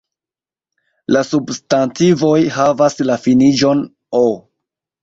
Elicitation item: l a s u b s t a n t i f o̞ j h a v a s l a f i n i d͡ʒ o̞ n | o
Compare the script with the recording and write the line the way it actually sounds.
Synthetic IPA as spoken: l a s u b s t a n t i v o̞ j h a v a s l a f i n i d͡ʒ o̞ n | o

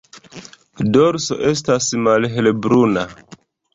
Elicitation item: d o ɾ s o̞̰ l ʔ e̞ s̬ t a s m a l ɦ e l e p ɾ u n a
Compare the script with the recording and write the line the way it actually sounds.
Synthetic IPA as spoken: d o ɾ s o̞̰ ʔ e̞ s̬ t a s m a l ɦ e l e b ɾ u n a

